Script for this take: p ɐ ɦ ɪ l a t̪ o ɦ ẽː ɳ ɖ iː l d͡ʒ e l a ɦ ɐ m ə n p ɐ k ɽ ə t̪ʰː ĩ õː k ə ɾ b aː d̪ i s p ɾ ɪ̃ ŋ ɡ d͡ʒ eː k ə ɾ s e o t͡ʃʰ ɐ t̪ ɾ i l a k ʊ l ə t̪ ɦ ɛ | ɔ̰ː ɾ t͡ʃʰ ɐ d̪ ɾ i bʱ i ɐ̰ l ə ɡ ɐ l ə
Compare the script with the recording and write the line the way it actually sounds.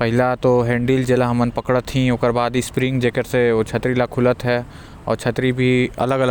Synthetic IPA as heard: p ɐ ɦ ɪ l a t̪ o ɦ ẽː ɳ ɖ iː l d͡ʒ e l a ɦ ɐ m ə n p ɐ k ɽ ə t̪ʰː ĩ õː k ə ɾ b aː d̪ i s p ɾ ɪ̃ ŋ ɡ d͡ʒ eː k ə ɾ s e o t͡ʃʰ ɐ t̪ ɾ i l a kʰ ʊ l ə t̪ ɦ ɛ | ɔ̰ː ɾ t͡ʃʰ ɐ t̪ ɾ i bʱ i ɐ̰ l ə ɡ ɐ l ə